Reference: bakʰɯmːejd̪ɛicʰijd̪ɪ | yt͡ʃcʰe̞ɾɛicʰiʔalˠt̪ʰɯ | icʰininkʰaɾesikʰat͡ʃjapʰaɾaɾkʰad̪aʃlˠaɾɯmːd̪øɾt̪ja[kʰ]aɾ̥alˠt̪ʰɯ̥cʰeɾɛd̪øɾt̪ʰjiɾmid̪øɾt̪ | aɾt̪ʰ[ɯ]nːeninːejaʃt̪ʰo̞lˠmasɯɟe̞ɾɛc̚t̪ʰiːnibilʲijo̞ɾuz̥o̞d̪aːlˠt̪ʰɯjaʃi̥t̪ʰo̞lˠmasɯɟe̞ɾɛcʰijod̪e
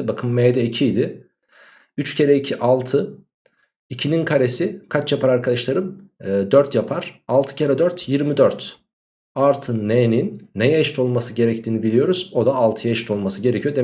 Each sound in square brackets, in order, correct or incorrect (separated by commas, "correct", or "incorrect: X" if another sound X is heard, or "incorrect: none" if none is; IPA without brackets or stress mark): incorrect: pʰ, correct